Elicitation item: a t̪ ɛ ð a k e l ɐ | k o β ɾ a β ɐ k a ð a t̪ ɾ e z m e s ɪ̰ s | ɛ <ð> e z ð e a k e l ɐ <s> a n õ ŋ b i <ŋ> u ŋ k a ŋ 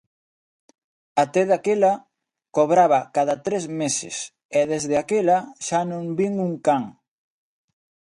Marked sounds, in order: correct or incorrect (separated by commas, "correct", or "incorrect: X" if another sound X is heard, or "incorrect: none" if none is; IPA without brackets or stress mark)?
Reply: correct, incorrect: ʃ, correct